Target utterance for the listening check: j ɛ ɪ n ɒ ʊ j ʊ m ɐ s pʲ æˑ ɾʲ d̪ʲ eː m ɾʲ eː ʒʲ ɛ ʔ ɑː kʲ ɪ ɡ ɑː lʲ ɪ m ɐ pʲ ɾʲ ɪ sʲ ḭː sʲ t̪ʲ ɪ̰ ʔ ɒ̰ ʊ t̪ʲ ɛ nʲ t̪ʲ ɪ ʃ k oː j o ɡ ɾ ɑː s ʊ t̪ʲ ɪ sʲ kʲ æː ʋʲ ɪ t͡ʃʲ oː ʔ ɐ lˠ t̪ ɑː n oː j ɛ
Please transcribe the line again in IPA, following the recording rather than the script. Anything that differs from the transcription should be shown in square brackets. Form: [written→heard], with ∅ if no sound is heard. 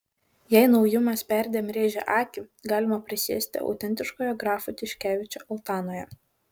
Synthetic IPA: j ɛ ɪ n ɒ ʊ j ʊ m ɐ s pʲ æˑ ɾʲ d̪ʲ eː m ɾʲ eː ʒʲ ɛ ʔ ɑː kʲ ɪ ɡ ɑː lʲ ɪ m ɐ pʲ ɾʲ ɪ sʲ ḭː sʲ t̪ʲ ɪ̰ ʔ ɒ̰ ʊ t̪ʲ ɛ nʲ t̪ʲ ɪ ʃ k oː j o ɡ ɾ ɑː [s→f] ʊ t̪ʲ ɪ [sʲ→ʃʲ] kʲ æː ʋʲ ɪ t͡ʃʲ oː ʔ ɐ lˠ t̪ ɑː n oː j ɛ